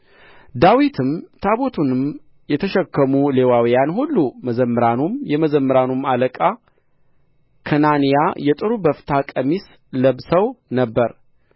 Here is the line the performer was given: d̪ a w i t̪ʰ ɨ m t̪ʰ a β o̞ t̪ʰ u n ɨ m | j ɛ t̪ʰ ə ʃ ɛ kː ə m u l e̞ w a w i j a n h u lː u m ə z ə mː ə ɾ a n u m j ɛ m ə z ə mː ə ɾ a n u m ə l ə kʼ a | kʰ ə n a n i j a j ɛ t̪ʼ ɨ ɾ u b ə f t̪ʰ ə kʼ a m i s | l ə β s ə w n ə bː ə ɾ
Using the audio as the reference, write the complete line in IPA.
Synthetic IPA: d̪ a w i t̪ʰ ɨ m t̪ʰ a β o̞ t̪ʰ u n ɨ m | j ɛ t̪ʰ ə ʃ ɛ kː ə m u l e̞ w a w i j a n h u lː u m ə z ə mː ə ɾ a n u m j ɛ m ə z ə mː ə ɾ a n u m a l ə kʼ a | kʰ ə n a n i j a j ɛ t̪ʼ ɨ ɾ u b ə f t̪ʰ a kʼ ə m i s | l ə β s ə w n ə bː ə ɾ